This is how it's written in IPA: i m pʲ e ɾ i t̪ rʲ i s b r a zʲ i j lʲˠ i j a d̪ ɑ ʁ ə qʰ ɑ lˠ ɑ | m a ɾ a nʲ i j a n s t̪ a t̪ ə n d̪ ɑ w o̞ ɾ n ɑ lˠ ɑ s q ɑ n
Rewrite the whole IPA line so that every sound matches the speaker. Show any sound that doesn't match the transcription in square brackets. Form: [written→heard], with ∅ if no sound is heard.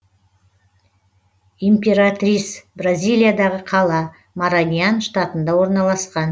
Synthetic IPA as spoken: i m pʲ e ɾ [i→a] t̪ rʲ i s b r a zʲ i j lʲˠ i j a d̪ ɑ ʁ ə qʰ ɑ lˠ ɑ | m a ɾ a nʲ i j a n [s→ʃ] t̪ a t̪ ə n d̪ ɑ w o̞ ɾ n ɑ lˠ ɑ s q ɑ n